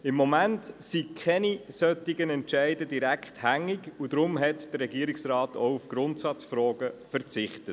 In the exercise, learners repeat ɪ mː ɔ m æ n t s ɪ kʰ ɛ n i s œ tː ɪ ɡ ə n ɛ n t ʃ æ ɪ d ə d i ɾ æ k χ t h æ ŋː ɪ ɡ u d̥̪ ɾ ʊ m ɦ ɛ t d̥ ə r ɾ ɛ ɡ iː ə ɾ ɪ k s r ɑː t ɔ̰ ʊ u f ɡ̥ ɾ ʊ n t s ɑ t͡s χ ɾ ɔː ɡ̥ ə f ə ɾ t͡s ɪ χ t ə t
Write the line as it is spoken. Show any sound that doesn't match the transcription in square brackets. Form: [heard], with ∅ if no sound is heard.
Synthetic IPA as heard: ɪ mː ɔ m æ n t s [i] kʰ ɛ n i s œ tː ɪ ɡ ə n ɛ n t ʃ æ ɪ d ə d i ɾ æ k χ t h æ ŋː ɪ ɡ u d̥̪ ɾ ʊ m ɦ ɛ t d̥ ə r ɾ ɛ ɡ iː ə ɾ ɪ k s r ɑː t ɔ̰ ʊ u f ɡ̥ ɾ ʊ n t s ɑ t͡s [f] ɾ ɔː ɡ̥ ə f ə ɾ t͡s ɪ χ t ə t